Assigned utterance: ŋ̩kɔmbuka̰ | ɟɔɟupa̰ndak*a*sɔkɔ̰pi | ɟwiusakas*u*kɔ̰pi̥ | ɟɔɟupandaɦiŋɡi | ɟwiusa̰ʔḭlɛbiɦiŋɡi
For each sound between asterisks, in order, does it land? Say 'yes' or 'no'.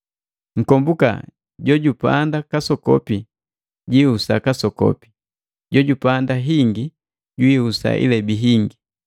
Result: yes, no

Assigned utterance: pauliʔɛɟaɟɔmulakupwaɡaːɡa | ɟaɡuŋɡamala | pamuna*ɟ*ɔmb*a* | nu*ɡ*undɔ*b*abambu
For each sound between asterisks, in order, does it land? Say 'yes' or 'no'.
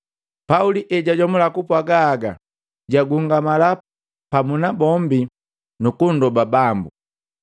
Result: no, no, no, yes

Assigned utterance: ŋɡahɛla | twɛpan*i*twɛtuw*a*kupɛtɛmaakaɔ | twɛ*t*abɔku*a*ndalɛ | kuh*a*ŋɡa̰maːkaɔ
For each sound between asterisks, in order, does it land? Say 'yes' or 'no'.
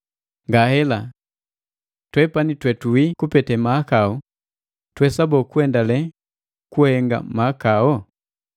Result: yes, no, no, no, no

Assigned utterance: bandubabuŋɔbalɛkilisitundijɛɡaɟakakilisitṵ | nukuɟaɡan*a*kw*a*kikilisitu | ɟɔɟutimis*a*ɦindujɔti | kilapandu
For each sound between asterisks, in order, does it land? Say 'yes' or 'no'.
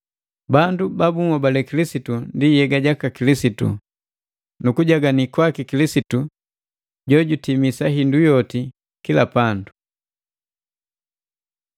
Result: no, yes, yes

